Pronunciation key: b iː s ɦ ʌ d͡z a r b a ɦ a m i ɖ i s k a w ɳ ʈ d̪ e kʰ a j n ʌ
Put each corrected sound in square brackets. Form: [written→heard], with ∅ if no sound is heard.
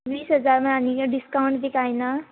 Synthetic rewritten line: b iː s ɦ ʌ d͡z a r [b→m] a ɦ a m i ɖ i s k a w ɳ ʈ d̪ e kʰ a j n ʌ